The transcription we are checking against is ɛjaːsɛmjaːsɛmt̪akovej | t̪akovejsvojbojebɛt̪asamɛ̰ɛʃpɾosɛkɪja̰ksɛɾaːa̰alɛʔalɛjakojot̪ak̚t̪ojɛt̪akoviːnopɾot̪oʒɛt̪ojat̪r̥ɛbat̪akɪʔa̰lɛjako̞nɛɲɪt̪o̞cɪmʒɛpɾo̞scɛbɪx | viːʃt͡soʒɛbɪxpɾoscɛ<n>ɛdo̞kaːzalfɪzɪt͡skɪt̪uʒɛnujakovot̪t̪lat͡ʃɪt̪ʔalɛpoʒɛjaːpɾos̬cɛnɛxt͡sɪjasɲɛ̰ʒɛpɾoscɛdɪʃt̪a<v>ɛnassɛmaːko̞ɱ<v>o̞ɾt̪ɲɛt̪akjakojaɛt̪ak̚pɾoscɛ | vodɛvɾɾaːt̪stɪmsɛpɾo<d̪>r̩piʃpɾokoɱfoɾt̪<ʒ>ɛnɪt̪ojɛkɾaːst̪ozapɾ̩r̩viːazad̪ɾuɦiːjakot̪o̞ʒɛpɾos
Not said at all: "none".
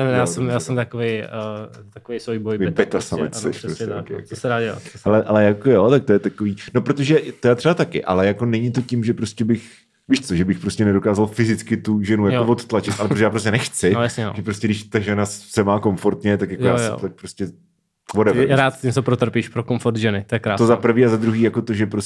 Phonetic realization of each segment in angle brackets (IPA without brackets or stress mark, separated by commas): n, ʒ, f, t̪, ʒ